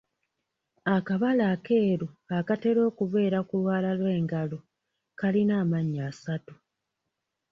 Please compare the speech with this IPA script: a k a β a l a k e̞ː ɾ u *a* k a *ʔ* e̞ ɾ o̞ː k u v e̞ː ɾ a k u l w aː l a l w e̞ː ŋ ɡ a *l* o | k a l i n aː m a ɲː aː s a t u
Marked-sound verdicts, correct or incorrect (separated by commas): correct, incorrect, correct